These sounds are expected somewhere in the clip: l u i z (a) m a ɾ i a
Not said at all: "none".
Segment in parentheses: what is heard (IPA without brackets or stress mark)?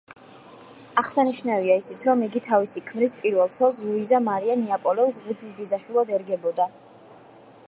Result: a